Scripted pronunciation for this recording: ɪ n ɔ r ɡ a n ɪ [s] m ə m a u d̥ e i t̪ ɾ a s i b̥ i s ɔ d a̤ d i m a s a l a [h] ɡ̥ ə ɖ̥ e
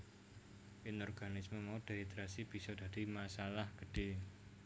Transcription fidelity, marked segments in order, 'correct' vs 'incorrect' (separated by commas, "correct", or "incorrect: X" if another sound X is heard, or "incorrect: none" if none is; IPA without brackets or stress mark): correct, correct